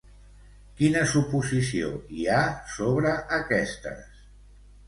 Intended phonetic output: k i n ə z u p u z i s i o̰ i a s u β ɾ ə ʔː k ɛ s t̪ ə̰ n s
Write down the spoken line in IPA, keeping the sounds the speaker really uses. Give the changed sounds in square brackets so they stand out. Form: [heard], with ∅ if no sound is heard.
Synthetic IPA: k i n ə [s] u p u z i s i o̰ i a s [o] β ɾ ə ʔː k ɛ s t̪ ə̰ [∅] s